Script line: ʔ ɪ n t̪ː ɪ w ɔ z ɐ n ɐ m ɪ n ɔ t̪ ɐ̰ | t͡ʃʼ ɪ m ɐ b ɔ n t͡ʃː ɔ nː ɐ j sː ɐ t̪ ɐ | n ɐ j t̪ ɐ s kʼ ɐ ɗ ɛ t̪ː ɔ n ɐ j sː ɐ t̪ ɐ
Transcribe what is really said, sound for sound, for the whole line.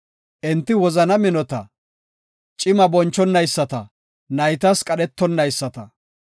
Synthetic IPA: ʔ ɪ n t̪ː ɪ w ɔ z ɐ n ɐ m ɪ n ɔ t̪ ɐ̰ | t͡ʃʼ ɪ m ɐ b ɔ n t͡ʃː ɔ nː ɐ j sː ɐ t̪ ɐ | n ɐ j t̪ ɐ s kʼ ɐ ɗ ɛ t̪ː ɔ nː ɐ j sː ɐ t̪ ɐ